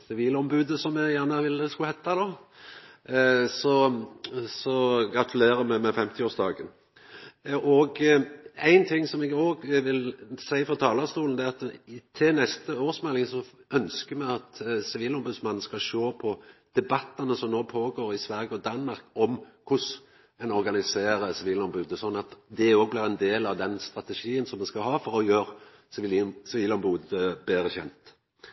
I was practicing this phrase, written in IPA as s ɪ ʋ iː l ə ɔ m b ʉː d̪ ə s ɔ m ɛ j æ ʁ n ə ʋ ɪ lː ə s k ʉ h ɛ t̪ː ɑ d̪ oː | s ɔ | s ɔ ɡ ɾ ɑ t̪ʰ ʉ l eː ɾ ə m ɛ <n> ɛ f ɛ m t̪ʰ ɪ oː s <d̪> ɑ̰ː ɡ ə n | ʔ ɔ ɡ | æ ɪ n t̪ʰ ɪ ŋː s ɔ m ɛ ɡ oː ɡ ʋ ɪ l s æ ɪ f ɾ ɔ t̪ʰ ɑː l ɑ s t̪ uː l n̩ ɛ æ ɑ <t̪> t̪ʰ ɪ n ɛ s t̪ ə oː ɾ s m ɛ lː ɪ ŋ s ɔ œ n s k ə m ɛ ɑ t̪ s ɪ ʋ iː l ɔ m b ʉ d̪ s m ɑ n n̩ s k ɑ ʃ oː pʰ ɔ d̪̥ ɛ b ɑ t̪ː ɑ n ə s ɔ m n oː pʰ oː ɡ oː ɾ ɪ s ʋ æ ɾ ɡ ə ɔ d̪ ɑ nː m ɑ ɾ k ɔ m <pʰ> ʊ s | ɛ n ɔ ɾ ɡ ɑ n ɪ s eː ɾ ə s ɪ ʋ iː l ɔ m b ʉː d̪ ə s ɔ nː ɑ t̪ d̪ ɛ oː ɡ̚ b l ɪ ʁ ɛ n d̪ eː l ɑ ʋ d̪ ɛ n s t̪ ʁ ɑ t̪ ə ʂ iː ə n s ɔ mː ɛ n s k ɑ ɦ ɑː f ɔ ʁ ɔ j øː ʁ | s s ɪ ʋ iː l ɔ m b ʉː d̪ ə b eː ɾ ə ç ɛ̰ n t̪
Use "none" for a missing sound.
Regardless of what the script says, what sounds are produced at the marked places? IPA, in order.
m, d̪, t̪, kʰ

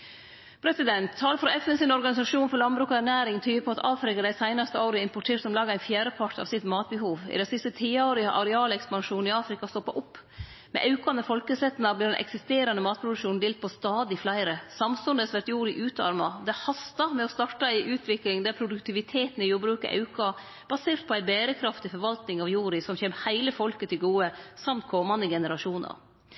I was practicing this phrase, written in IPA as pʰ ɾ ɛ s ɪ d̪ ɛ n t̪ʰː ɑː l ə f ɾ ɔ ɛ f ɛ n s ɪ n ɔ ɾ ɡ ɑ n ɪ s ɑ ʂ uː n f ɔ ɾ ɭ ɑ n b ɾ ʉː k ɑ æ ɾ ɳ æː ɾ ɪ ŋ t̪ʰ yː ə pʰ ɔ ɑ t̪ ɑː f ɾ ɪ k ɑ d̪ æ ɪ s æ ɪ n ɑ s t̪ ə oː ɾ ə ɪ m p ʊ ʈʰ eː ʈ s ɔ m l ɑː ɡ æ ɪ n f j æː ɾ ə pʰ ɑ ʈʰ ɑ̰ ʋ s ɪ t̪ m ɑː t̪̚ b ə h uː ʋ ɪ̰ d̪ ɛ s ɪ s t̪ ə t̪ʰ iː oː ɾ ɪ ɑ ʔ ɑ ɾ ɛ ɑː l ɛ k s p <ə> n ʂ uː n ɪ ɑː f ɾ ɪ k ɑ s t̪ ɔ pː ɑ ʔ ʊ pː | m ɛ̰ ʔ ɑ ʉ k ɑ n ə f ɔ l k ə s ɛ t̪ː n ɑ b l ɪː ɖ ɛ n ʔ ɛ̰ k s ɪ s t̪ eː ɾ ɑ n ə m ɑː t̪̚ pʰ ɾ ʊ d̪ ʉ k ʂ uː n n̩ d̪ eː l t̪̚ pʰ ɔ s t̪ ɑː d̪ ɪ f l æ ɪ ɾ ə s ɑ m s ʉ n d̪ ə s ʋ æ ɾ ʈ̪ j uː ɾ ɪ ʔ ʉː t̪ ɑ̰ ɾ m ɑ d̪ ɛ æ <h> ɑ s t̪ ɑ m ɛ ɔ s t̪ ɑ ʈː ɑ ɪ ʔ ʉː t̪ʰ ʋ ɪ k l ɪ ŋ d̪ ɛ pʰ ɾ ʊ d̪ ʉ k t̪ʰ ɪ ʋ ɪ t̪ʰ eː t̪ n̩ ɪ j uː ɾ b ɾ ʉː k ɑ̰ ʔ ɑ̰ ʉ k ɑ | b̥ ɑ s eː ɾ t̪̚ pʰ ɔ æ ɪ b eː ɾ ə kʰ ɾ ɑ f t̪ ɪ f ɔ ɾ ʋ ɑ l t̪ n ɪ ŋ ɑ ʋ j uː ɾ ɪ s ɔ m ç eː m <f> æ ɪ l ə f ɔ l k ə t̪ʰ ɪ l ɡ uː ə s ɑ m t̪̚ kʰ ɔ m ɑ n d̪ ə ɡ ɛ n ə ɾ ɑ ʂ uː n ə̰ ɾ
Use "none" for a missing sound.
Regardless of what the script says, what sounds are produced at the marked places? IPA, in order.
ɑ, h, h

